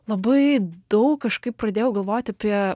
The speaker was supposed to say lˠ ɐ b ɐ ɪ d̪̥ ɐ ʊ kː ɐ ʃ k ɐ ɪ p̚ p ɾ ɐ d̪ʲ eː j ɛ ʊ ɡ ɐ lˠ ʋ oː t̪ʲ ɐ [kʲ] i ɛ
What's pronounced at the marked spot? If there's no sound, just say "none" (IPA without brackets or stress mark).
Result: pʲ